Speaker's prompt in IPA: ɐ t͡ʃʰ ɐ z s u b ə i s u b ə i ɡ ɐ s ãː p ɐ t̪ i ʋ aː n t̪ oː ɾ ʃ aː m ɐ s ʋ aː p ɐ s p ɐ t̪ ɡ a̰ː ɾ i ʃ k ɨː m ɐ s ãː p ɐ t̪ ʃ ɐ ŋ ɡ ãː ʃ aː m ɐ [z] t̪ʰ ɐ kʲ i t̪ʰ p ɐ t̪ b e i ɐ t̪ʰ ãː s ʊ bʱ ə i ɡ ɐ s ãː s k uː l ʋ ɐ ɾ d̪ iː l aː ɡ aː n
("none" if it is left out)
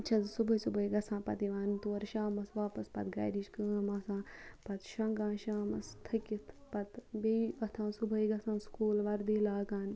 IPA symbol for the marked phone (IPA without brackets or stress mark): s